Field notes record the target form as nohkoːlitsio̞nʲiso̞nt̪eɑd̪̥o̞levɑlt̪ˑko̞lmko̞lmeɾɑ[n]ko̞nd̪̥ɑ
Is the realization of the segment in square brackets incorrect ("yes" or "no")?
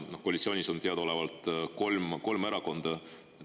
yes